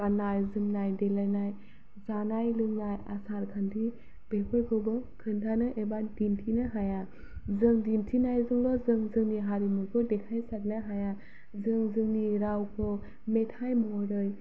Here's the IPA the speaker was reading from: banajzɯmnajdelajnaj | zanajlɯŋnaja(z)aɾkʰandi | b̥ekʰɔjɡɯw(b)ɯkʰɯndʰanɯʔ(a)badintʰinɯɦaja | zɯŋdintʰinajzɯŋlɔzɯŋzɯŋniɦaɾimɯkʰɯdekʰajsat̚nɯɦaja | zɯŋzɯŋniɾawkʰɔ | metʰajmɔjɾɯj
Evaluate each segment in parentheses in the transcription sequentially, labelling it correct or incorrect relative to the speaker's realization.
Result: incorrect, correct, incorrect

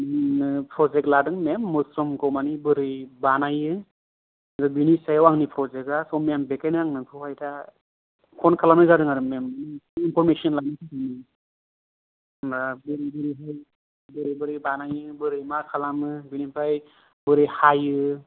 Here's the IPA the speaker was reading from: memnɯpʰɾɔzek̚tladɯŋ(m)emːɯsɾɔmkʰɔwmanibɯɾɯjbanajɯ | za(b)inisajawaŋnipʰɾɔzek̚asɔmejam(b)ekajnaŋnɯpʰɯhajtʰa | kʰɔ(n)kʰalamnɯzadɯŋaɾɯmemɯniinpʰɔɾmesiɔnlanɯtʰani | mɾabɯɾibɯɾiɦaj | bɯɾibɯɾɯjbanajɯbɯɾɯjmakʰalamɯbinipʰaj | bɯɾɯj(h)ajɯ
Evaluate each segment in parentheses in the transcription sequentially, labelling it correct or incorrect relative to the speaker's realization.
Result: correct, correct, correct, correct, correct

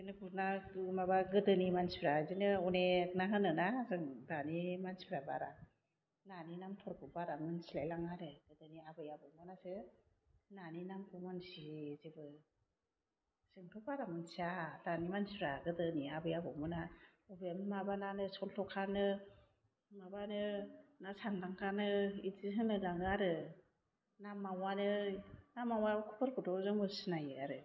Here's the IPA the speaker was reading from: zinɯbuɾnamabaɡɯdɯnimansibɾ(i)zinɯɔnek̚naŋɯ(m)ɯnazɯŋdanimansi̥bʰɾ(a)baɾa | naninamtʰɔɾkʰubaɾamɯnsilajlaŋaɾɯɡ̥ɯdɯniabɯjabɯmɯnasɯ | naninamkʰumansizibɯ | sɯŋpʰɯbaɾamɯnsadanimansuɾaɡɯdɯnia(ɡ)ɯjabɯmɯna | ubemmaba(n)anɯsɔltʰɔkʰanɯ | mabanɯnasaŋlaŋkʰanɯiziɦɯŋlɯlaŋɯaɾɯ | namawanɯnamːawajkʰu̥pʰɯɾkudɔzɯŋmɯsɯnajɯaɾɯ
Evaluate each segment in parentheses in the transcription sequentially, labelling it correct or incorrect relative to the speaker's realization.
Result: incorrect, incorrect, correct, incorrect, correct

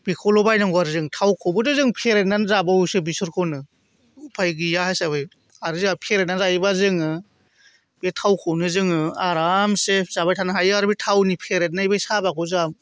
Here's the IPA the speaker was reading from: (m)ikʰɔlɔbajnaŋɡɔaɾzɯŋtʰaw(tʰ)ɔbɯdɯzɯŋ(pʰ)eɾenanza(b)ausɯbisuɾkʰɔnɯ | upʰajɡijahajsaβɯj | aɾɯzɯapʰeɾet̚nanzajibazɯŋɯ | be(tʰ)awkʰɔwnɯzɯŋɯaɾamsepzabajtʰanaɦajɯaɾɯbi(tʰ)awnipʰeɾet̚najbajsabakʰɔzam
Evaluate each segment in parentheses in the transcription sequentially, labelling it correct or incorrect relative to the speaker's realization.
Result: incorrect, incorrect, correct, correct, correct, correct

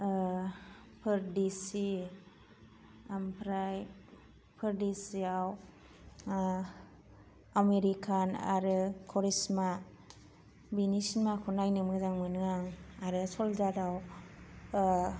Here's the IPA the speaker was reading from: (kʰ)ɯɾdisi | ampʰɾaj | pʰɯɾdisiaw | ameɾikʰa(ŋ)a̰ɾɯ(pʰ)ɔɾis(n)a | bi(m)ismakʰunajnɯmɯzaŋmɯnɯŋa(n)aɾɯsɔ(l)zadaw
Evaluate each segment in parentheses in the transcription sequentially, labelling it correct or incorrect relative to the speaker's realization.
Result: incorrect, incorrect, incorrect, incorrect, incorrect, incorrect, correct

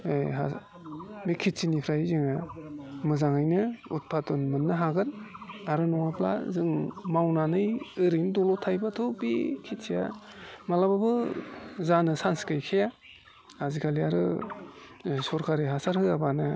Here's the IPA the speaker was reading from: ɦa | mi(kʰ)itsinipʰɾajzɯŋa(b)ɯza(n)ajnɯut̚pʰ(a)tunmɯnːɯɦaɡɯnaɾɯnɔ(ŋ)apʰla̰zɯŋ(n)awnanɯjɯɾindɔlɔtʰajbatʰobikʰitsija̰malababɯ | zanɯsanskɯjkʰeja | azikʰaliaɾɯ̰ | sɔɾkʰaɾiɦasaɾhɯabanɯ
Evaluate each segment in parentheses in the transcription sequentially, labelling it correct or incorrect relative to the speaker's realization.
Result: correct, incorrect, incorrect, correct, correct, incorrect

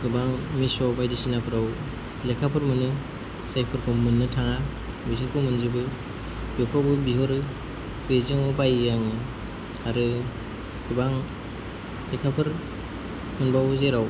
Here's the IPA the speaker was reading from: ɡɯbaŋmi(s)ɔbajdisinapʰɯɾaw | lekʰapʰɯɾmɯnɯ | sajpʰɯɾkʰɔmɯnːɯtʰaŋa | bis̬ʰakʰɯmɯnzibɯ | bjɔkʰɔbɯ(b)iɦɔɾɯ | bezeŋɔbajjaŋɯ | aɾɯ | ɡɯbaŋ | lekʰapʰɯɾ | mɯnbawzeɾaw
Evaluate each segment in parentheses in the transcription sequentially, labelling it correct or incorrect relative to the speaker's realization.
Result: correct, correct

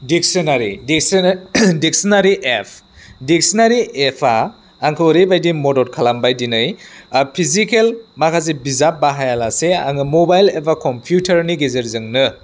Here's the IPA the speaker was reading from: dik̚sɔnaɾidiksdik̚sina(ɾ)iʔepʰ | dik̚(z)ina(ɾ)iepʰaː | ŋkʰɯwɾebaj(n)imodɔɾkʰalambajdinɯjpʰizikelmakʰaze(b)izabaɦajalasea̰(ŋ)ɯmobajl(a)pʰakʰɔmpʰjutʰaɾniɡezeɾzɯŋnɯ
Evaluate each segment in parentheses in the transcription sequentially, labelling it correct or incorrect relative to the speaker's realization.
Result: correct, incorrect, correct, incorrect, correct, correct, incorrect

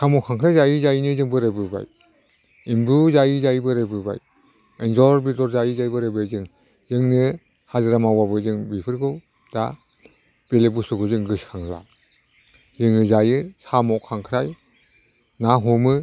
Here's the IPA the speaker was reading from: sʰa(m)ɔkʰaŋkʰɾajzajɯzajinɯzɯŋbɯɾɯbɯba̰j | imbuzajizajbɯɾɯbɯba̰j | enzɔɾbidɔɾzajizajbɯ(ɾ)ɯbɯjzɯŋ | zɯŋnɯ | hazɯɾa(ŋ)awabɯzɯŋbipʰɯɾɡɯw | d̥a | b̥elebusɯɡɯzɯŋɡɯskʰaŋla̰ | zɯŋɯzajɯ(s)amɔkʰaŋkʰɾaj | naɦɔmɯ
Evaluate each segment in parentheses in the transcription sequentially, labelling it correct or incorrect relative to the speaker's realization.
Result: correct, correct, incorrect, correct

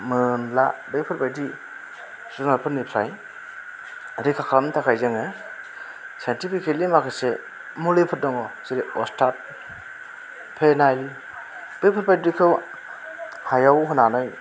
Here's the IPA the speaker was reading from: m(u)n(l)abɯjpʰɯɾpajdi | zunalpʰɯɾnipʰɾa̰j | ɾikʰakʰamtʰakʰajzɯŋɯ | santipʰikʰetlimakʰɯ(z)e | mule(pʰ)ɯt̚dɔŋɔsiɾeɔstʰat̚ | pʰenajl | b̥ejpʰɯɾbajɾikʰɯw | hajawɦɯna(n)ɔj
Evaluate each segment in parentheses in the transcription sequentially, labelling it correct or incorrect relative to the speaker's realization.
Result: incorrect, correct, incorrect, correct, correct

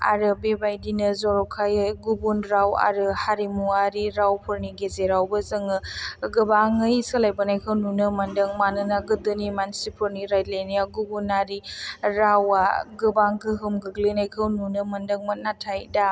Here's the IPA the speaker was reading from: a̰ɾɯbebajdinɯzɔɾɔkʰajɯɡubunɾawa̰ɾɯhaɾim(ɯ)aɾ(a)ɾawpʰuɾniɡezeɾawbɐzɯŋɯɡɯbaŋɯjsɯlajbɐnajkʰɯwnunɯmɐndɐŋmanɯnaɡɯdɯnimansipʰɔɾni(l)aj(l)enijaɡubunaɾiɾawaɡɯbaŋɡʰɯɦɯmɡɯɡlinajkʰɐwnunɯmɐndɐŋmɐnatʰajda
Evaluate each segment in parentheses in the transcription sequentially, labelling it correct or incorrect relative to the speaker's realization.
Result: incorrect, incorrect, incorrect, correct

